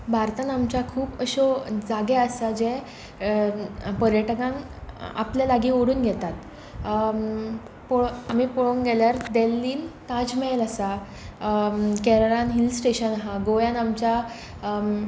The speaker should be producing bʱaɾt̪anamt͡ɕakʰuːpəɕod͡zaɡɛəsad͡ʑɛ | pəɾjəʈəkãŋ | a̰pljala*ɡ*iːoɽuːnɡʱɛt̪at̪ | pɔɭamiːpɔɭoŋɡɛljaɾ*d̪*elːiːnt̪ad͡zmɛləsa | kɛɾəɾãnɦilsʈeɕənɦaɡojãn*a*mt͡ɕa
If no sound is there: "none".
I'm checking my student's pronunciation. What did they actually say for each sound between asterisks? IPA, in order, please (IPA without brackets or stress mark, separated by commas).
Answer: ɡ, d̪, a